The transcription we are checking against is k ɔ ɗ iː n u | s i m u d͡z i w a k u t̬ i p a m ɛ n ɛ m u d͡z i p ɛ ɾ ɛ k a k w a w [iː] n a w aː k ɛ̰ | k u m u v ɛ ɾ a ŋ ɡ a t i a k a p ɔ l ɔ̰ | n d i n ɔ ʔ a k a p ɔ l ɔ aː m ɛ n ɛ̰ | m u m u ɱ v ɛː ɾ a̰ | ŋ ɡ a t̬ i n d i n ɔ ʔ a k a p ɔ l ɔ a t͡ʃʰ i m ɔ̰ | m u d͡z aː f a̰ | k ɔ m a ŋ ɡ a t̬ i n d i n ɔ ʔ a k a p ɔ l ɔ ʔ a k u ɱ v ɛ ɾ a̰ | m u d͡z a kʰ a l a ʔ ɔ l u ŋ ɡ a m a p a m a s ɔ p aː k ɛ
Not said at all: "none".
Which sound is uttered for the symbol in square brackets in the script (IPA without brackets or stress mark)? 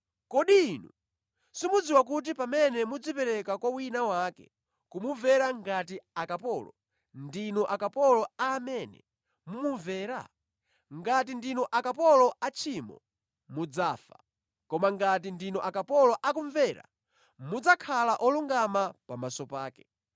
i